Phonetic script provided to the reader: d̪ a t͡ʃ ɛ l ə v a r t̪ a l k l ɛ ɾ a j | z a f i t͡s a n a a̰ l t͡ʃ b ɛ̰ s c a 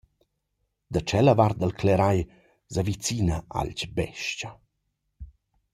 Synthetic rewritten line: d̪ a t͡ʃ ɛ l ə v a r d̪ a l k l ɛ ɾ a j | z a v i t͡s i n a a̰ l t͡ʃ b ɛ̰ ʃ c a